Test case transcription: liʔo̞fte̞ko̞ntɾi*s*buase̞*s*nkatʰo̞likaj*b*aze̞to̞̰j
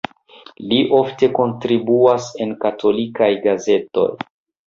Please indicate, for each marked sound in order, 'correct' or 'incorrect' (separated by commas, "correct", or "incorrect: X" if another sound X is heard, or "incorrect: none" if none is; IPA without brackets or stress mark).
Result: incorrect: none, incorrect: none, incorrect: ɡ